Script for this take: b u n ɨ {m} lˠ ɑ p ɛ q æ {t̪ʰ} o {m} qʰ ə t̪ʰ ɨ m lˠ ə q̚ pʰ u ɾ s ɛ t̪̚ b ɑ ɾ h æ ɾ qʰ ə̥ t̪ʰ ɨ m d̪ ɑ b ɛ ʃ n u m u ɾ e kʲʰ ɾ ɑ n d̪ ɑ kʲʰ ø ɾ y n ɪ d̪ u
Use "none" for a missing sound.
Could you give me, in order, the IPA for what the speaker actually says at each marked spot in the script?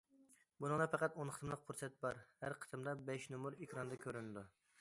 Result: ŋ, t̪, n

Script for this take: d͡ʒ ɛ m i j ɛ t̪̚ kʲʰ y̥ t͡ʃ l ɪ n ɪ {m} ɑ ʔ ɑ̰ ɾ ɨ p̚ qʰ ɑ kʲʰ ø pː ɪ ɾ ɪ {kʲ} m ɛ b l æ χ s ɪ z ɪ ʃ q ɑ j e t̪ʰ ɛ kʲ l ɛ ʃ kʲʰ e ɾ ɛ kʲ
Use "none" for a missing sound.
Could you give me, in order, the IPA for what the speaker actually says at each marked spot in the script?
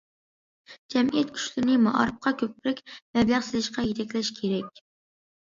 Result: m, kʲ

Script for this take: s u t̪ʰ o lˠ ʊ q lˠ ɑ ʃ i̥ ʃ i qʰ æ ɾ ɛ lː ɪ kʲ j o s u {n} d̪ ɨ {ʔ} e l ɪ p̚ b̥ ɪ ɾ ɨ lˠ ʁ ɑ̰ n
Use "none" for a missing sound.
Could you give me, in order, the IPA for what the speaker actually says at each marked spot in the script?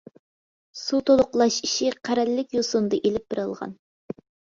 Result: n, ʔ

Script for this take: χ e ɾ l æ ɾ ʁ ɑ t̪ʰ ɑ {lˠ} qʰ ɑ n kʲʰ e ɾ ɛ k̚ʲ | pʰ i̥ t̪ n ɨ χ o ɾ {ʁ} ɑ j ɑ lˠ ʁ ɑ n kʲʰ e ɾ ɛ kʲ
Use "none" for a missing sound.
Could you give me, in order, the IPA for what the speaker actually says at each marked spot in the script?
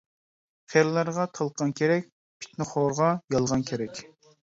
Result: lˠ, ʁ

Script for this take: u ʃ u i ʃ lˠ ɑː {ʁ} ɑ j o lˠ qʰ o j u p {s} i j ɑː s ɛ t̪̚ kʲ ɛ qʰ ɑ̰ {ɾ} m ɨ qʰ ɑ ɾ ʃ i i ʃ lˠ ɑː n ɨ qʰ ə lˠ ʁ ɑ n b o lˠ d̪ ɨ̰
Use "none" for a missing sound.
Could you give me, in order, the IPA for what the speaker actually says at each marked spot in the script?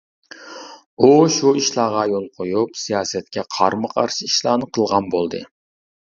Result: ʁ, s, ɾ

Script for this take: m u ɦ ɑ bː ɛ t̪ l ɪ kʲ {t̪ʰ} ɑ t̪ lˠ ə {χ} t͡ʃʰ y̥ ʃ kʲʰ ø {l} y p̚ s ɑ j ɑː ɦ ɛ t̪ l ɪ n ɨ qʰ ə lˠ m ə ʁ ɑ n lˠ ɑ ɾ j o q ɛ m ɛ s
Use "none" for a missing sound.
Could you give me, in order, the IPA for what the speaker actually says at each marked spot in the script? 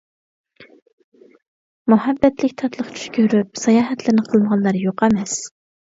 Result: t̪ʰ, χ, ɾ

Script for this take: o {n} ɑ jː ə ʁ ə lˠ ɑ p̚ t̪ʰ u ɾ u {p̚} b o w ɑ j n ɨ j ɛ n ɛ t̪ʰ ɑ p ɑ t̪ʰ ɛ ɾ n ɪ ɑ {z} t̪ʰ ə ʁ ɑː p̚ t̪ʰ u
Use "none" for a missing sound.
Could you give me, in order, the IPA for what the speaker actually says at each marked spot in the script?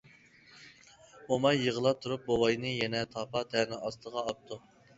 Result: m, p̚, s

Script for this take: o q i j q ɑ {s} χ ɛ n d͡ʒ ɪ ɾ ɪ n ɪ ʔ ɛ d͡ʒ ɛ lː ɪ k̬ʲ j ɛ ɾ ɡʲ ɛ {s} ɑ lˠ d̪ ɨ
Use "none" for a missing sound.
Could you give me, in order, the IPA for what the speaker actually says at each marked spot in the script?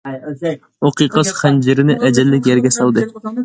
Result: s, s

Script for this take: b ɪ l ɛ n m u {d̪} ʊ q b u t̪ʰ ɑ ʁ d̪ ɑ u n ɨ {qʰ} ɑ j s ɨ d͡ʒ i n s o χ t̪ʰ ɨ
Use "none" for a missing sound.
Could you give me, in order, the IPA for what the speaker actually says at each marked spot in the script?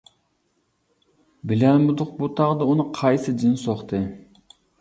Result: d̪, qʰ

